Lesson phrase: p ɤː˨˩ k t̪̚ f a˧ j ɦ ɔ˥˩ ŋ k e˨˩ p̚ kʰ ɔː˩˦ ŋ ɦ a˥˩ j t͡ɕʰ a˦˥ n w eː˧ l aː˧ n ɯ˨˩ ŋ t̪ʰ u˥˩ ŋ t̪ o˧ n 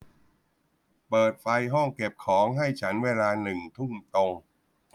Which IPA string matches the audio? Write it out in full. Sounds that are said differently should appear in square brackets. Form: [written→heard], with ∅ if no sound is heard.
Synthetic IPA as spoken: p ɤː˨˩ [k→∅] t̪̚ f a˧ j ɦ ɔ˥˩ ŋ k e˨˩ p̚ kʰ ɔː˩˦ ŋ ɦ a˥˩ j t͡ɕʰ a˦˥ n w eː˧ l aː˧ n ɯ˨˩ ŋ t̪ʰ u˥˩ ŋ t̪ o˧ [n→ŋ]